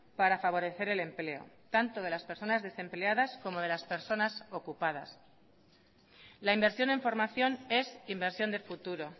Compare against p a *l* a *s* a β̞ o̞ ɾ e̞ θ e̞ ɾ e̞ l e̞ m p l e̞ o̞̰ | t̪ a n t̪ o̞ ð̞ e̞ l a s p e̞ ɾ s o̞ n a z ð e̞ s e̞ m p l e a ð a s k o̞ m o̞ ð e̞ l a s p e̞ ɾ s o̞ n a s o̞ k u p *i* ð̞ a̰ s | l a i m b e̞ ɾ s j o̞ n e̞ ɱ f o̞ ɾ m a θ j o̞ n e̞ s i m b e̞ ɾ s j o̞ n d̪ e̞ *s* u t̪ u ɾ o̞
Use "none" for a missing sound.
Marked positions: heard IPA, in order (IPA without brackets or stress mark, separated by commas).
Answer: ɾ, f, a, f